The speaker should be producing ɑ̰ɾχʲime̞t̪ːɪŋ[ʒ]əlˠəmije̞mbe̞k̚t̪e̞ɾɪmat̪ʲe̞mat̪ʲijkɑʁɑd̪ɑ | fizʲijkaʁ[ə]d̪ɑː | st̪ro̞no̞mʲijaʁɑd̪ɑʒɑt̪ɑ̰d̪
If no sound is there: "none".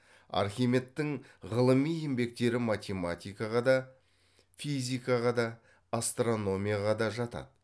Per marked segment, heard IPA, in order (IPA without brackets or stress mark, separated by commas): ʁ, ɑ